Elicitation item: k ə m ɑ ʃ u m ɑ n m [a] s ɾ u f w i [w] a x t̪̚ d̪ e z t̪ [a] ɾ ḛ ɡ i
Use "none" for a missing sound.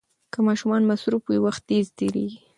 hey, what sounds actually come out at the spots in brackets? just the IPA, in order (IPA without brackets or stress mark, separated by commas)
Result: a, w, e